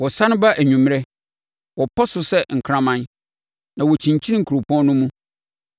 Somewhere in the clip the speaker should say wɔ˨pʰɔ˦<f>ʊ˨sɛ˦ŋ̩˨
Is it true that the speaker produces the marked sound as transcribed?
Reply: no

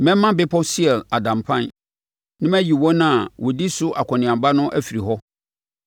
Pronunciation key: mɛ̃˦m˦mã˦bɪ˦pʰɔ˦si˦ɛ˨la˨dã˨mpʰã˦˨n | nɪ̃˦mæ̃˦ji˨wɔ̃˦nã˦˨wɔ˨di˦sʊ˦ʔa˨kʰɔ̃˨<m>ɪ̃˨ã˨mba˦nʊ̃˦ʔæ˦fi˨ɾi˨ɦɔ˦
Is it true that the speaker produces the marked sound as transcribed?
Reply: no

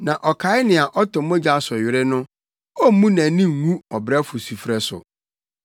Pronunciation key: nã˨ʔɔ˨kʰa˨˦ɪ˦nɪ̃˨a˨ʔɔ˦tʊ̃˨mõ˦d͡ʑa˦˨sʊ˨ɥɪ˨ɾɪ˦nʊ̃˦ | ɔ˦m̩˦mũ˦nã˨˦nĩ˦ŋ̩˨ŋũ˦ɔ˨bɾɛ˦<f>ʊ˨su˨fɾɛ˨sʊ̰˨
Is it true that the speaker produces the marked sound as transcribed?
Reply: yes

